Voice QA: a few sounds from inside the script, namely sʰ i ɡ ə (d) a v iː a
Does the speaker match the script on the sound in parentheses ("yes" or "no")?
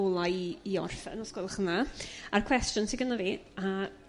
no